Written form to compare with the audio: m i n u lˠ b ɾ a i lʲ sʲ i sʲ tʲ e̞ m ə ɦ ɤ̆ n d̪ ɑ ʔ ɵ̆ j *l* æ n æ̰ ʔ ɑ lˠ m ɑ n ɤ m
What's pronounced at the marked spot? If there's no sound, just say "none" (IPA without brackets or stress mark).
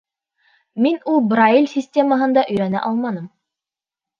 ɾ